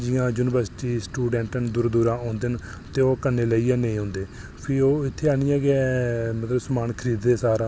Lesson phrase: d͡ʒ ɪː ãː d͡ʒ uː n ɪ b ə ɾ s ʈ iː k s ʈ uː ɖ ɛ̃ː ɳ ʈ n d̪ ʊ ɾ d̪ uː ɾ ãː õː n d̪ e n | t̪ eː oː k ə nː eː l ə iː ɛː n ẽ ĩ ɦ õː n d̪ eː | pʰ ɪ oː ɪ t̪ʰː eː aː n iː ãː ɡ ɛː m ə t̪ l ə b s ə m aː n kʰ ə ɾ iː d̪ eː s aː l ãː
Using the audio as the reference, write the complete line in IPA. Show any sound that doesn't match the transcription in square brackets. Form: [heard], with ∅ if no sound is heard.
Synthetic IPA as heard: d͡ʒ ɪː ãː d͡ʒ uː n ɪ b ə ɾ s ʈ iː [∅] s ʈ uː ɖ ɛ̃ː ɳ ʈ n d̪ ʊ ɾ d̪ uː ɾ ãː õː n d̪ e n | t̪ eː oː k ə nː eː l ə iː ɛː n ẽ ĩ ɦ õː n d̪ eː | pʰ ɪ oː ɪ t̪ʰː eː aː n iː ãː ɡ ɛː m ə t̪ l ə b s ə m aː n kʰ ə ɾ iː d̪ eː s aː [ɾ] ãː

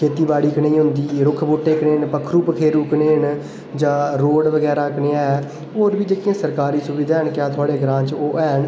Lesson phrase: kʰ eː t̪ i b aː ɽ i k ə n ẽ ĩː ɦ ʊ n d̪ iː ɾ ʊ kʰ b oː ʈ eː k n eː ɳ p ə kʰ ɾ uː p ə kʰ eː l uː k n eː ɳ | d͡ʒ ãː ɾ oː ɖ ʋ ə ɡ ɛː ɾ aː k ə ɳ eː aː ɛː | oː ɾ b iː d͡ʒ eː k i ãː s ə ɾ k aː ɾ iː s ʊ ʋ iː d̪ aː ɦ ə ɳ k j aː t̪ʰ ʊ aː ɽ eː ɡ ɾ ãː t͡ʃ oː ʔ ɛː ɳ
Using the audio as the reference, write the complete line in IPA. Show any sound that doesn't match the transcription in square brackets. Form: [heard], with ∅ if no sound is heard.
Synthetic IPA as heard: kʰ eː t̪ [iː] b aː ɽ [iː] k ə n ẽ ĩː ɦ ʊ n d̪ iː ɾ ʊ kʰ b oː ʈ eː k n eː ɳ p ə kʰ ɾ uː p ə kʰ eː [ɾ] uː k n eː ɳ | d͡ʒ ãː ɾ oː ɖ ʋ ə ɡ ɛː ɾ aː k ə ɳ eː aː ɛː | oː ɾ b iː d͡ʒ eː k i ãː s ə ɾ k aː ɾ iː s ʊ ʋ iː d̪ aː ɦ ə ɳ k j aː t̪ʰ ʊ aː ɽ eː ɡ ɾ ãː t͡ʃ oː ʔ ɛː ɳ

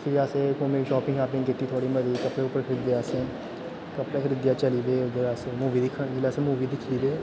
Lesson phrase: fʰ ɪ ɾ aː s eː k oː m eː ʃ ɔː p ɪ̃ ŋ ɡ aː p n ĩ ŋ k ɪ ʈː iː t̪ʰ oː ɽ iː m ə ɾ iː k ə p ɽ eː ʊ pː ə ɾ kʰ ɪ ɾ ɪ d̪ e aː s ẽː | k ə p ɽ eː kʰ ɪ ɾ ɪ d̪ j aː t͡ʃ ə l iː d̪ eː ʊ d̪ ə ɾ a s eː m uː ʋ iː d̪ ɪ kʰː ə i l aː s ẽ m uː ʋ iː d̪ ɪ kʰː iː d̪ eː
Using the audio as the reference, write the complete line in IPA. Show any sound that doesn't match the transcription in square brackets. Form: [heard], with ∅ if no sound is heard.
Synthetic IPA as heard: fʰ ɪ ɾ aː s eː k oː m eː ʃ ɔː p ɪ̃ ŋ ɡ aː p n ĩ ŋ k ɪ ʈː iː t̪ʰ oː ɽ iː m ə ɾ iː k ə p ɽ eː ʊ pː ə ɾ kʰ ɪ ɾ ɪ d̪ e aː s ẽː | k ə p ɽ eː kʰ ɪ ɾ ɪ d̪ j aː t͡ʃ ə l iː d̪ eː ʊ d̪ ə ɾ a s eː m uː ʋ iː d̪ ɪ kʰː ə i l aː s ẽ m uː ʋ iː d̪ ɪ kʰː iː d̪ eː

